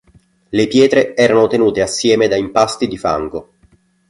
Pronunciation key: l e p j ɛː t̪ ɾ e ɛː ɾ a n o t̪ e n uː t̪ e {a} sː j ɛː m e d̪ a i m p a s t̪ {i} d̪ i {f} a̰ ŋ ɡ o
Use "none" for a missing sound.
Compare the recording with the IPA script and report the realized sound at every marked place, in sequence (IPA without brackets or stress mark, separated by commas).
a, i, f